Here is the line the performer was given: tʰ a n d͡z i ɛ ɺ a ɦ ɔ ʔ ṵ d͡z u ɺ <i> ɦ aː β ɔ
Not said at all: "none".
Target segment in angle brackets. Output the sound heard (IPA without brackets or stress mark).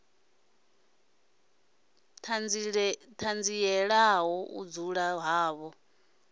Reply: a